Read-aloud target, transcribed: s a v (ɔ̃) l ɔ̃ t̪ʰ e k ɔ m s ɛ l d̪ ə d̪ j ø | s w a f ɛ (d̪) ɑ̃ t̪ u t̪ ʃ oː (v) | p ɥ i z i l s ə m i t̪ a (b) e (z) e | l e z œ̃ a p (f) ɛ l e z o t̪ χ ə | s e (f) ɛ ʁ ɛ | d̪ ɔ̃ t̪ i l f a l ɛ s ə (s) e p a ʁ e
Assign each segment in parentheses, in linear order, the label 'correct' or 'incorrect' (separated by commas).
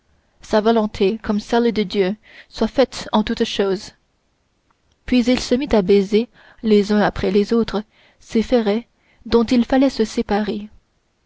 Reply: incorrect, incorrect, incorrect, correct, correct, incorrect, correct, correct